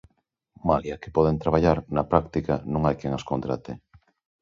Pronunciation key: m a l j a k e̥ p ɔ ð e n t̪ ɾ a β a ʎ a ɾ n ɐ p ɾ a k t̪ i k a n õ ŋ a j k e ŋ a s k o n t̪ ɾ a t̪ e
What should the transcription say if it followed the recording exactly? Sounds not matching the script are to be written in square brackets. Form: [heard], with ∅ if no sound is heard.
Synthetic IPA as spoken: m a l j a k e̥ p ɔ ð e n t̪ ɾ a β a ʎ a ɾ n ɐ p ɾ a k t̪ i k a n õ ŋ a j k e ŋ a s k o n t̪ ɾ a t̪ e